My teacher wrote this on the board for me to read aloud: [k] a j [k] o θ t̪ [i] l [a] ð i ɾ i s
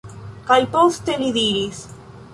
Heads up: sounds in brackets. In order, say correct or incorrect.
correct, incorrect: p, incorrect: e, incorrect: i

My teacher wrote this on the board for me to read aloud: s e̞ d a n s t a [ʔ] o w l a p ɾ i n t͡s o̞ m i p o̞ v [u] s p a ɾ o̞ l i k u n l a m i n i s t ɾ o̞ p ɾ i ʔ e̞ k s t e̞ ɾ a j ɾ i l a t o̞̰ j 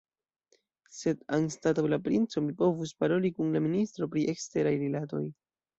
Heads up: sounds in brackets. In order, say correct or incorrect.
incorrect: t, correct

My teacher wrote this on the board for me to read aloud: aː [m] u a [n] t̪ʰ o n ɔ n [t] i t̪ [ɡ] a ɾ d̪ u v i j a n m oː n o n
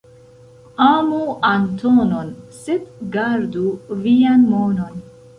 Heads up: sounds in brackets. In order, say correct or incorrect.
correct, correct, incorrect: s, correct

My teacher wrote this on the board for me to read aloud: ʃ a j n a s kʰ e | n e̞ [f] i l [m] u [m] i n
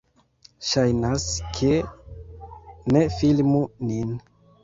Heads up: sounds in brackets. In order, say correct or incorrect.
correct, correct, incorrect: n

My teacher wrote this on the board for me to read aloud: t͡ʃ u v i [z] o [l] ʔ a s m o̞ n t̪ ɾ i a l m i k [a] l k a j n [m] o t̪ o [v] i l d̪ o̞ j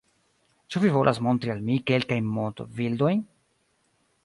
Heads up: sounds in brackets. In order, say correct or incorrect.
incorrect: v, correct, incorrect: e, correct, correct

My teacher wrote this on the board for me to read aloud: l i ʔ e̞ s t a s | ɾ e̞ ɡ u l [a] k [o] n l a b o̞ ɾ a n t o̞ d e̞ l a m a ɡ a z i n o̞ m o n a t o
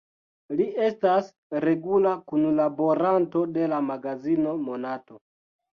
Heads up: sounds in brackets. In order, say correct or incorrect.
correct, incorrect: u

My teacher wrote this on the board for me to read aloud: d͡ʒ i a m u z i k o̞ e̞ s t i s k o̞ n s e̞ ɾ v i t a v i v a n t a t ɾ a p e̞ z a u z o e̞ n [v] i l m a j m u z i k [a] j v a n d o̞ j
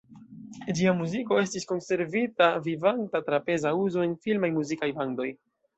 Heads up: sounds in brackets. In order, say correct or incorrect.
incorrect: f, correct

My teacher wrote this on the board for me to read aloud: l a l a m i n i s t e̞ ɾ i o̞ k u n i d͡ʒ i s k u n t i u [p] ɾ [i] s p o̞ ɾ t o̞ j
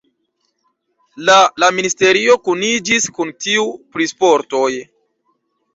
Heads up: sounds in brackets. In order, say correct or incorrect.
correct, correct

